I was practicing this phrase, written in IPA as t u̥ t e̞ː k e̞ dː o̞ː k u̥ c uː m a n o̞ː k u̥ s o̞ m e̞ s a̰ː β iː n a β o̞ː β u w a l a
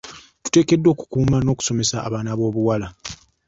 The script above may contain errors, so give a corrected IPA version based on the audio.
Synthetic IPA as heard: t u̥ t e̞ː k e̞ dː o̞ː k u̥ k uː m a n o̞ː k u̥ s o̞ m e̞ s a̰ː β aː n a β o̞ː β u w a l a